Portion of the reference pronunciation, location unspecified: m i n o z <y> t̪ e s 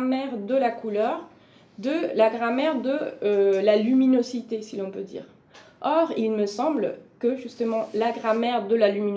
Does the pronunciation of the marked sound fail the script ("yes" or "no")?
yes